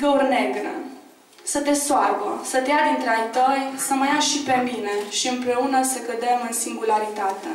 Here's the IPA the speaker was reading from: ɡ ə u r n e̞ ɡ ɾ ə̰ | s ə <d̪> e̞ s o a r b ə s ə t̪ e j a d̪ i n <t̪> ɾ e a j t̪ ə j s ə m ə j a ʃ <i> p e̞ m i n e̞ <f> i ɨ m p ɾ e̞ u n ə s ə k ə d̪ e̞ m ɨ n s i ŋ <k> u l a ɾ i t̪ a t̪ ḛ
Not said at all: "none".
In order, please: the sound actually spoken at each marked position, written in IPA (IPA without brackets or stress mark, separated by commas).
t̪, t̪, i, ʃ, ɡ